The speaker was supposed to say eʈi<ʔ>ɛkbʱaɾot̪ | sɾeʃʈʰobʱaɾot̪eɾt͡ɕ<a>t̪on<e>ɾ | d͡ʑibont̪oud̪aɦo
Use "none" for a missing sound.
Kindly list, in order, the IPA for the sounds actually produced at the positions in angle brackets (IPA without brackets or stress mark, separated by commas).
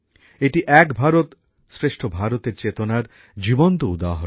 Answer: ʔ, e, a